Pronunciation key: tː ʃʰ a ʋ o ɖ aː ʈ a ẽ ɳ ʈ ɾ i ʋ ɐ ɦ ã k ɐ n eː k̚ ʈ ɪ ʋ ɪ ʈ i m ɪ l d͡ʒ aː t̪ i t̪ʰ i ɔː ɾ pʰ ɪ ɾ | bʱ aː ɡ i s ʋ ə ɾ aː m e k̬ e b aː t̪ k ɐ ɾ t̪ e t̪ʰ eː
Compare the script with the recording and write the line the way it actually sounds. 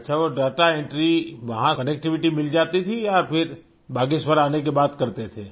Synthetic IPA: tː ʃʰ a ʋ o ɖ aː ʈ a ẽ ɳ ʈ ɾ i ʋ ɐ ɦ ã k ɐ n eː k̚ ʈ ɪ ʋ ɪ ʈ i m ɪ l d͡ʒ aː t̪ i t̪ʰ i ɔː ɾ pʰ ɪ ɾ | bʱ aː ɡ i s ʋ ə ɾ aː n e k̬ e b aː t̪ k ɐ ɾ t̪ e t̪ʰ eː